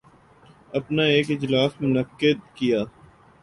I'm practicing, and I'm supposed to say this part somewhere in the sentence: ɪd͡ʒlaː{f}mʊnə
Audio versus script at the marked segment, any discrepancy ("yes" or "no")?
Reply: yes